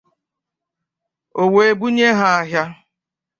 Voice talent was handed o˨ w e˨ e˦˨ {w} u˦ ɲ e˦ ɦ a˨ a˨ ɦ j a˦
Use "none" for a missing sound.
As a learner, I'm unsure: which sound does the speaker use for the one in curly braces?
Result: b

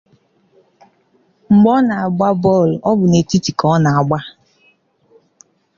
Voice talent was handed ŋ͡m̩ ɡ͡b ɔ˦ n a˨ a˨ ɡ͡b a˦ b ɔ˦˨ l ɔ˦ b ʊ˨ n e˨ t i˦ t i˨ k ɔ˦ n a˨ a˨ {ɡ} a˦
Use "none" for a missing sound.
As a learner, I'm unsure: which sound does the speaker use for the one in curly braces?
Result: ɡ͡b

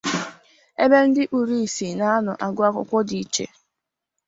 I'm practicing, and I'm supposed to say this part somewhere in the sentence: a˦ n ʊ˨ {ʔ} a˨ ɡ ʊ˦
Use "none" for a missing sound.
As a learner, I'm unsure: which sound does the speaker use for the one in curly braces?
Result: ʔ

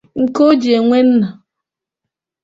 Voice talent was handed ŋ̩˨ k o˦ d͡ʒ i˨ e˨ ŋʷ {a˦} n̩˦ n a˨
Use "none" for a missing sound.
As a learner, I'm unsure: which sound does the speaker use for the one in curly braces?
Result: e˦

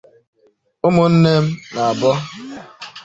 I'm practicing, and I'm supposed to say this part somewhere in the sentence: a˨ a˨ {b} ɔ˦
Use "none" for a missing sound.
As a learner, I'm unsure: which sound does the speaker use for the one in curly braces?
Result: b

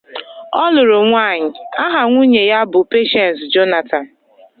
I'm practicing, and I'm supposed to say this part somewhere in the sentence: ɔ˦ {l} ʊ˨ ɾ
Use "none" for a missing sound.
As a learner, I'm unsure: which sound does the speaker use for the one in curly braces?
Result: l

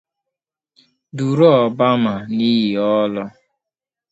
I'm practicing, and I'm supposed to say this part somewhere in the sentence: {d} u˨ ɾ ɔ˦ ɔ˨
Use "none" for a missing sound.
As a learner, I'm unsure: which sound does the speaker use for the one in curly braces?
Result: d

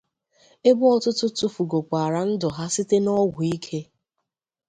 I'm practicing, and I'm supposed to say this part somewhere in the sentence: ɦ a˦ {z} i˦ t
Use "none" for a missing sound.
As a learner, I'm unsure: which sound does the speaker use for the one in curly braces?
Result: s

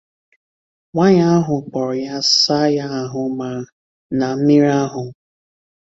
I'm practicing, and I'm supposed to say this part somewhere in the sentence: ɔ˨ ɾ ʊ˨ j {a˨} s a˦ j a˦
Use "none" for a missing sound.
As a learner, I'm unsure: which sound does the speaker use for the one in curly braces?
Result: a˦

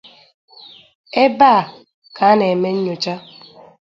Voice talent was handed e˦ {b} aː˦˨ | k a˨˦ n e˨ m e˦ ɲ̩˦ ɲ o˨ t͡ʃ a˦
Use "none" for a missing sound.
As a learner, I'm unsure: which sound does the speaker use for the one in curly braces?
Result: b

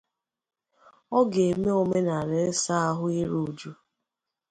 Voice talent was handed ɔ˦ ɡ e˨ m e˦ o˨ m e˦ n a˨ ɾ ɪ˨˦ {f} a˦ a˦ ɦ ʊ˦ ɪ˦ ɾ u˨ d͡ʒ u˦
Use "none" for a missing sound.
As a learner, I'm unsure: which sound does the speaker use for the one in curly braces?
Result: s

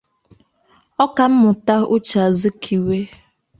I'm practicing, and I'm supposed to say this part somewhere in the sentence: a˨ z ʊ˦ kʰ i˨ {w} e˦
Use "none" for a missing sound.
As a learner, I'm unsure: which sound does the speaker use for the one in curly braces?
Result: w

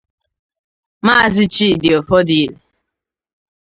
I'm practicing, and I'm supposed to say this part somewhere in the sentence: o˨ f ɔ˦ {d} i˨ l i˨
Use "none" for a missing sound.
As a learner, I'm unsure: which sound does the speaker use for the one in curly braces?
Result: d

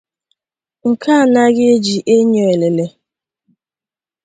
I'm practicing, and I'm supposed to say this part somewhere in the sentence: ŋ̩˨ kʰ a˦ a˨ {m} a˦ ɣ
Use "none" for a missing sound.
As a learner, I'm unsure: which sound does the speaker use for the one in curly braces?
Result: n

